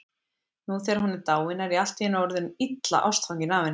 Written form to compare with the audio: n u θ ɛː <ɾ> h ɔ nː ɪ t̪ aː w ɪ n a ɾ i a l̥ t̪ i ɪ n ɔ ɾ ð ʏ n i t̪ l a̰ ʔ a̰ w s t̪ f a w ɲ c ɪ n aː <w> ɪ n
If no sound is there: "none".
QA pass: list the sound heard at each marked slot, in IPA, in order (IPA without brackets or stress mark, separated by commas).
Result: ɾ, v